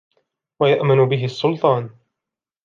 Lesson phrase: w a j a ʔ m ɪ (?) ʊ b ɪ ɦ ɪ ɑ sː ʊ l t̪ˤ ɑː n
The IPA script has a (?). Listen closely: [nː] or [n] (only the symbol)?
n